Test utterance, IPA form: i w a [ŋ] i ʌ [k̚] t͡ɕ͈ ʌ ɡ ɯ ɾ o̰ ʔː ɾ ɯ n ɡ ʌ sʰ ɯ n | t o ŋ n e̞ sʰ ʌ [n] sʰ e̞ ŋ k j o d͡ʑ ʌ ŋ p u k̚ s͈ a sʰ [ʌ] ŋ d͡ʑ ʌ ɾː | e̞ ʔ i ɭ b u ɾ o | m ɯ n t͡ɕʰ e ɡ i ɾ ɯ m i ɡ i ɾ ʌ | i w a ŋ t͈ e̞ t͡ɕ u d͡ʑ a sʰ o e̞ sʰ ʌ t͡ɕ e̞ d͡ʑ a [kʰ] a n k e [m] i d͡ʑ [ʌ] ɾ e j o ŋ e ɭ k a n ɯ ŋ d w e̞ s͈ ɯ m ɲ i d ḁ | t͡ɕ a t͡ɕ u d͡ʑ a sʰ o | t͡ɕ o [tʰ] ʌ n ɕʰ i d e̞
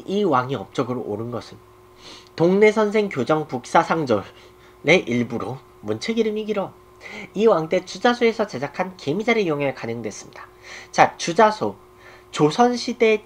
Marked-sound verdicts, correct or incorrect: correct, incorrect: p̚, correct, incorrect: a, correct, correct, incorrect: a, incorrect: sʰ

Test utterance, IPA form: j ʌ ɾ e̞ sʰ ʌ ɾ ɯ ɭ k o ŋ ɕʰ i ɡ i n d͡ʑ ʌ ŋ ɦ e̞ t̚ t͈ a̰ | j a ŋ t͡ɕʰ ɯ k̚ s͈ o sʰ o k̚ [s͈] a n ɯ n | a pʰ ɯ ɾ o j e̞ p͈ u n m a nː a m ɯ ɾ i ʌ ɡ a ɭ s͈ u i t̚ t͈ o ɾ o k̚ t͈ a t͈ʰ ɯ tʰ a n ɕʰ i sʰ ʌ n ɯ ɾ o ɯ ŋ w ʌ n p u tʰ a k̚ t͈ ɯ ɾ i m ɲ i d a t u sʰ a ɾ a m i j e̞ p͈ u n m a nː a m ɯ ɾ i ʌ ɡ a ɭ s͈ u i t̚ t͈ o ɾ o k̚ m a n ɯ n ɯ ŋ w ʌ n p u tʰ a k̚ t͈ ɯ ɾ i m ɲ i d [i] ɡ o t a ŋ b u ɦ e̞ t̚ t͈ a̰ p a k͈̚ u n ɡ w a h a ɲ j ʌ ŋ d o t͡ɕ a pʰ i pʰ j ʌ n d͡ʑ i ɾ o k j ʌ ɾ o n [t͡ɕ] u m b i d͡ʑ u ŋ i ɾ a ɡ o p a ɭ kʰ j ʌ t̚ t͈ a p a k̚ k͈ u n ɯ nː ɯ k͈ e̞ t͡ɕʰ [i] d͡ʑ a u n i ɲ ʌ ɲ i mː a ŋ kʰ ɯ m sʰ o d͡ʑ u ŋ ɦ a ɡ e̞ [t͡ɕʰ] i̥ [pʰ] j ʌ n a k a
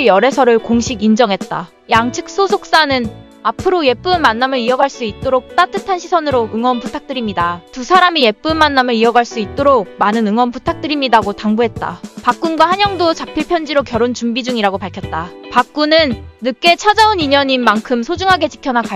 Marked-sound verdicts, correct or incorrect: correct, incorrect: a, correct, incorrect: a, incorrect: t͡ɕ, incorrect: kʰ

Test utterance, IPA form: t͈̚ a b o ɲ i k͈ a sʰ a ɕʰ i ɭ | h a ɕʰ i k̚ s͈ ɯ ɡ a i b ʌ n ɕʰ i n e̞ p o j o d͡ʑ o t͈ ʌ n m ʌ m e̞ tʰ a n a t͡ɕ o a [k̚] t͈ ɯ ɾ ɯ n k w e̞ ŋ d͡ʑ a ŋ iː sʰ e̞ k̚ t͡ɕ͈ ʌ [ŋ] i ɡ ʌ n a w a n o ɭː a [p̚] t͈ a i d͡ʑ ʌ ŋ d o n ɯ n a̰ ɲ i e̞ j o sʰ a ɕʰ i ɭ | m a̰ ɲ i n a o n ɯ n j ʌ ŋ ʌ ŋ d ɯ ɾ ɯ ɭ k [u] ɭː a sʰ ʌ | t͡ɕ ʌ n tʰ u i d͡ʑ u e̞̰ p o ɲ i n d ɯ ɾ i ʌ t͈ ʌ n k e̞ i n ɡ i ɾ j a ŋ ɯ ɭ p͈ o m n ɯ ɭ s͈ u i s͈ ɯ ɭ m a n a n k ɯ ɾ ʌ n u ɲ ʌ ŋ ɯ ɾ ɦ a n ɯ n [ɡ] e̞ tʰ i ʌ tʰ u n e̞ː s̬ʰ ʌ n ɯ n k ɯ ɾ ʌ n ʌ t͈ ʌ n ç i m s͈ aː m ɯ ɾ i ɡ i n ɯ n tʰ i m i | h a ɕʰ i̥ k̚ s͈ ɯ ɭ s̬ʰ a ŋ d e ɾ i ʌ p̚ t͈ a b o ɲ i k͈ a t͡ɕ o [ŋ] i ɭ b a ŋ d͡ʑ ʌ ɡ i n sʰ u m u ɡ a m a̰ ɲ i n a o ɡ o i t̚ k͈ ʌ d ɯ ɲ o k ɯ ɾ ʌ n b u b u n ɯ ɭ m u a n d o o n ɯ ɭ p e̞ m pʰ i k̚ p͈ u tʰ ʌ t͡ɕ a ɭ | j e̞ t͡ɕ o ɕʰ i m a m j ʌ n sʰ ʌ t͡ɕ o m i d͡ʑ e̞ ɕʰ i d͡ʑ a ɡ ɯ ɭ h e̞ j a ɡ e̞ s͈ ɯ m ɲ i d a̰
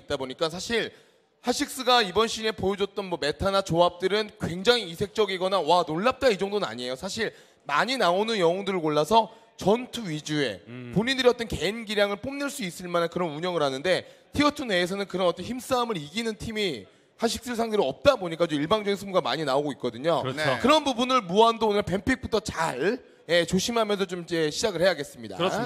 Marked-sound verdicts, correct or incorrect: incorrect: p̚, incorrect: ɡ, correct, incorrect: o, incorrect: d, incorrect: m

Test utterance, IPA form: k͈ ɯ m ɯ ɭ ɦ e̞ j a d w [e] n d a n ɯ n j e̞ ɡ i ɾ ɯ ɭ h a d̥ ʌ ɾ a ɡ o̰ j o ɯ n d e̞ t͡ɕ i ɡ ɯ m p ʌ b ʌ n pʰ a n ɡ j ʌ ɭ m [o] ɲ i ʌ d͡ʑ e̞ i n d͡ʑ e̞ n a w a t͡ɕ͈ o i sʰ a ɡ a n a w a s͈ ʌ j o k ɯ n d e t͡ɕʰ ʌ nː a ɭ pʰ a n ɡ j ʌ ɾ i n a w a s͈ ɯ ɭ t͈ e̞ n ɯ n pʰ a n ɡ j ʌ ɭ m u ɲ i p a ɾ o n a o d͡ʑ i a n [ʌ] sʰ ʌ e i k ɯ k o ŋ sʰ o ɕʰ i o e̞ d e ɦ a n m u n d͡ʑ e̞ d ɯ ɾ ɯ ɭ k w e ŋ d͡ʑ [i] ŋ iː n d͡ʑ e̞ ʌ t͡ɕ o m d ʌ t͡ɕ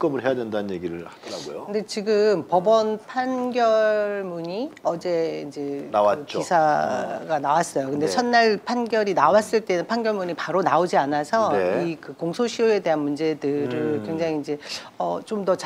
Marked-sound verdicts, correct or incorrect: correct, incorrect: u, incorrect: a, incorrect: a

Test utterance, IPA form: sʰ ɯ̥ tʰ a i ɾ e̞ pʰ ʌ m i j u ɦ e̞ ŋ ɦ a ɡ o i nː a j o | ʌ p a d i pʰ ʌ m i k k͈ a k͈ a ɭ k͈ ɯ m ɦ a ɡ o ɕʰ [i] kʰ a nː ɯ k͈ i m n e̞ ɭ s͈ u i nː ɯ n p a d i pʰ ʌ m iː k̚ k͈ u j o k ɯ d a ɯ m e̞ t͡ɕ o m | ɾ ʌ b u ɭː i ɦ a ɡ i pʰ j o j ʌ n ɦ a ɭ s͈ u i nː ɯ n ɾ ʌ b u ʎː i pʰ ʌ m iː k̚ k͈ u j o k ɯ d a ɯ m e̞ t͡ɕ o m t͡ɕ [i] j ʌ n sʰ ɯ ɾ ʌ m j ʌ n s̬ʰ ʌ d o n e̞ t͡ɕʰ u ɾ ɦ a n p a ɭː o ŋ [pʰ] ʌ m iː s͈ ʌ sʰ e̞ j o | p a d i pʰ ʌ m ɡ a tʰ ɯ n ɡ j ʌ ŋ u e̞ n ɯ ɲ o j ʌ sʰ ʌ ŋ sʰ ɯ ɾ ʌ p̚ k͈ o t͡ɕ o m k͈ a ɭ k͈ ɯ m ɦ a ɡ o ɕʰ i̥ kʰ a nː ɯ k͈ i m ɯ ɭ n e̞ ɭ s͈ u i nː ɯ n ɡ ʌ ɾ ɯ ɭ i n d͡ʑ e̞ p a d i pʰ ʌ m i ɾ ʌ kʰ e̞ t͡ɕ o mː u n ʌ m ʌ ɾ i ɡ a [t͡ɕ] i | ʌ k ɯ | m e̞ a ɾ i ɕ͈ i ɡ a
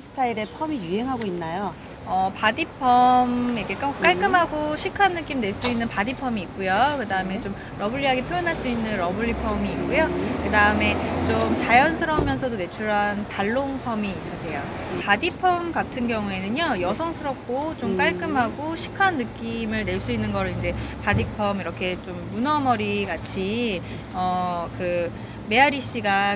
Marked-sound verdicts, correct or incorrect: correct, incorrect: a, correct, incorrect: t͡ɕʰ

